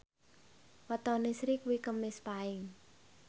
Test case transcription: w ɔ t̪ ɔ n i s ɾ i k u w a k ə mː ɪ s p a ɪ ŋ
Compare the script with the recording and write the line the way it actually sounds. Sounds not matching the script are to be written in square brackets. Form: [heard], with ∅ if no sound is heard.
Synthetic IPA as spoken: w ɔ t̪ ɔ n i s ɾ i k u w [i] k ə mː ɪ s p a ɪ ŋ